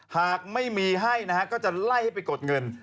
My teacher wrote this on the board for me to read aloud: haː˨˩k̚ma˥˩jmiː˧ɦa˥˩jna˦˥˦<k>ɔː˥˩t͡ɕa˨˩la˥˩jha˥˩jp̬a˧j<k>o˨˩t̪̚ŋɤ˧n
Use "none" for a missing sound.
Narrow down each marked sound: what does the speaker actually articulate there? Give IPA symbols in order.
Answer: k, k

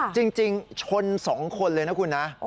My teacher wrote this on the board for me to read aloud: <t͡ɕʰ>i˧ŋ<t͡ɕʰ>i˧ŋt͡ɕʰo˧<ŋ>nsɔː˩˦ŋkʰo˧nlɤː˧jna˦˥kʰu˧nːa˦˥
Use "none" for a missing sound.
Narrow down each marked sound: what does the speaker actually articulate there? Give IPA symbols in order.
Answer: t͡ɕ, t͡ɕ, none

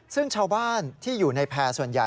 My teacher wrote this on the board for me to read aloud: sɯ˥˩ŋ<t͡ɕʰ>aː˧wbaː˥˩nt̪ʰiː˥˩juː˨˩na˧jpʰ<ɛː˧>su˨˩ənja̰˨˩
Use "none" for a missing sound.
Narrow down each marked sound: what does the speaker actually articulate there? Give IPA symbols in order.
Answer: t͡ɕʰ, ɛː˧

